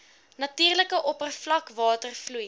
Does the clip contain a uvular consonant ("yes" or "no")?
no